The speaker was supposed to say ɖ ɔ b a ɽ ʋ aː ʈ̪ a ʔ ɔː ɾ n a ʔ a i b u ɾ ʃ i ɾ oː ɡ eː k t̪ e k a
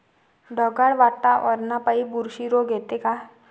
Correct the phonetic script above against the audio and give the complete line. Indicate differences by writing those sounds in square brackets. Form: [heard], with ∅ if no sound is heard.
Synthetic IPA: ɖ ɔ [ɡ] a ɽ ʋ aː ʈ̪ a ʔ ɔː ɾ n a [p] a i b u ɾ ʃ i ɾ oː ɡ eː [∅] t̪ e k a